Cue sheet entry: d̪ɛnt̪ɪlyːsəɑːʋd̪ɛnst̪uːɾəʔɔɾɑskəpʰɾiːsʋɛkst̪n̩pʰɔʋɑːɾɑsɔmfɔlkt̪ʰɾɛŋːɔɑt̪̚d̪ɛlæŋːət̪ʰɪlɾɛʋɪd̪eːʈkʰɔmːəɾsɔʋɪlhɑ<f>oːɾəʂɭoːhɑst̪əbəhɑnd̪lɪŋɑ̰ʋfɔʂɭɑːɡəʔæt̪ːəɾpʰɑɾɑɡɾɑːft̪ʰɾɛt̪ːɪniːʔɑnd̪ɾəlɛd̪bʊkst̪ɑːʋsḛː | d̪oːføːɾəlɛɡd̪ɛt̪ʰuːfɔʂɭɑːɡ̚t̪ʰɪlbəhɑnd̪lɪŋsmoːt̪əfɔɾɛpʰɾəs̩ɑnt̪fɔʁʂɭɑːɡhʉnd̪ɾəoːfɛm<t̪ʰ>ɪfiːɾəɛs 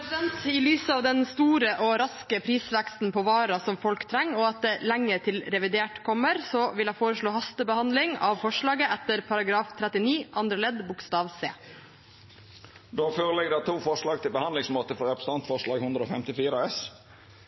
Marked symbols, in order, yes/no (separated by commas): yes, no